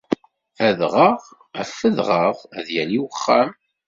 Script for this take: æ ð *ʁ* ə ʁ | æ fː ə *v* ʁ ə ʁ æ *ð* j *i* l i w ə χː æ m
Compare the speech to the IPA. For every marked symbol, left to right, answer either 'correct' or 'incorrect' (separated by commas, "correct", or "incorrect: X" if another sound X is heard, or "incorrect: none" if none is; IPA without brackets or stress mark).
correct, incorrect: ð, correct, incorrect: æ